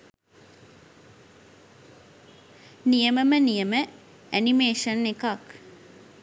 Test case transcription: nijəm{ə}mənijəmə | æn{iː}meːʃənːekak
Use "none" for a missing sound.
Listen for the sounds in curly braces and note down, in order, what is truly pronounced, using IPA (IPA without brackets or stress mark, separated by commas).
ə, i